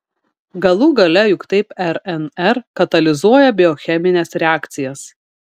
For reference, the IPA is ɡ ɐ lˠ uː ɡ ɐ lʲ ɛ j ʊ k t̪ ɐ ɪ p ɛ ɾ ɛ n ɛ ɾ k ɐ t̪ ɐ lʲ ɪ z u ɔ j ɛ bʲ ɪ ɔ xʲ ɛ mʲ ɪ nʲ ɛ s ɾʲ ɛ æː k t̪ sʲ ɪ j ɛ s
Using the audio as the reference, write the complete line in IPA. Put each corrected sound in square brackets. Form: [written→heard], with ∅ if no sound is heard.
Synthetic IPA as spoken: ɡ ɐ lˠ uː ɡ ɐ lʲ ɛ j ʊ k t̪ ɐ ɪ p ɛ ɾ ɛ n ɛ ɾ k ɐ t̪ ɐ lʲ ɪ z u ɔ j ɛ bʲ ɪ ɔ xʲ ɛ mʲ ɪ nʲ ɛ s ɾʲ ɛ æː k t̪ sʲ ɪ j ɛ s